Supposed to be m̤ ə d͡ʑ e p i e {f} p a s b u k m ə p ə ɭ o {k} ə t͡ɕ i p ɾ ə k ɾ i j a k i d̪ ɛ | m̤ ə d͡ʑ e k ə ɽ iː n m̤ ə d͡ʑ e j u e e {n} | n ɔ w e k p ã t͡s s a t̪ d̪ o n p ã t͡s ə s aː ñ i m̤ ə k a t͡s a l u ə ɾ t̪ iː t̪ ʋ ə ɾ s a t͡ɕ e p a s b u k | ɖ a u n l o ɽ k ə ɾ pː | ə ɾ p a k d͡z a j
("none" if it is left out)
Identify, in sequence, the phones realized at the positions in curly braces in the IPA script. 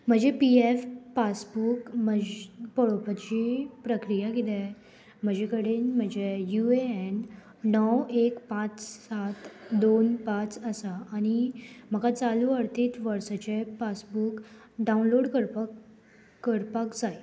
f, p, n

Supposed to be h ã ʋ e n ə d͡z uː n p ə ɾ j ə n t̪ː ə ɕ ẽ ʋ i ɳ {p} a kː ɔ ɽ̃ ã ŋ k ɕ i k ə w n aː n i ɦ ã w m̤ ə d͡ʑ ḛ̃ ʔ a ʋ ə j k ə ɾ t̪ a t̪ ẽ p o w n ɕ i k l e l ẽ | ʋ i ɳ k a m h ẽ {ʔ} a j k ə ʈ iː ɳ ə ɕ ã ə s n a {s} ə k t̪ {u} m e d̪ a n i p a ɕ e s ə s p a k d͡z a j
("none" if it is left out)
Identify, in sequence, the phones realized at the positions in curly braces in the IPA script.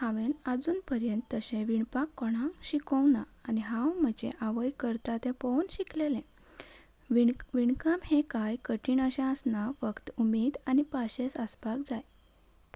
p, k, f, u

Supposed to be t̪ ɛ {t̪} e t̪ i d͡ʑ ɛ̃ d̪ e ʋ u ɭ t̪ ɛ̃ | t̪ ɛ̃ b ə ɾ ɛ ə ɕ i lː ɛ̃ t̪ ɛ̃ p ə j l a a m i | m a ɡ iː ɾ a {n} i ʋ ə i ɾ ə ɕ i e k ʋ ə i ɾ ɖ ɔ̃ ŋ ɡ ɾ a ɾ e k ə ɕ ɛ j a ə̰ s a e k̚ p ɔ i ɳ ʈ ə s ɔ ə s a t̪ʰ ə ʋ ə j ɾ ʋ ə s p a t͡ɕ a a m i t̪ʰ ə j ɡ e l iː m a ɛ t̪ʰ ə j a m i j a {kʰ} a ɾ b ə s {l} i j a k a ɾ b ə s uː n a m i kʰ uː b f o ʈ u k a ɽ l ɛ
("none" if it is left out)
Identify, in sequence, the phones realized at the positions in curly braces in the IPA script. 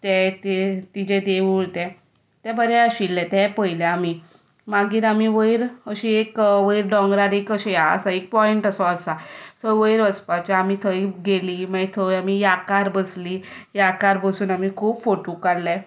t̪, m, k, l

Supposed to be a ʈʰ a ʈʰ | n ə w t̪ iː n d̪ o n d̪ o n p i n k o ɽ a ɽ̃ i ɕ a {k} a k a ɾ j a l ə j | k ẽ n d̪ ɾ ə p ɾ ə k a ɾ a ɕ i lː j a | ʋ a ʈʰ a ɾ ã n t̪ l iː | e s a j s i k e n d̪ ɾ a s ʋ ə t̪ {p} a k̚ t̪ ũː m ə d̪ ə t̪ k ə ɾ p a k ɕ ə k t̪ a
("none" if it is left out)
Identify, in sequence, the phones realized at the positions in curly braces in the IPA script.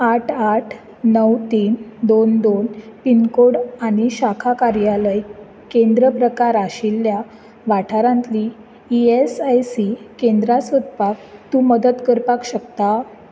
kʰ, p

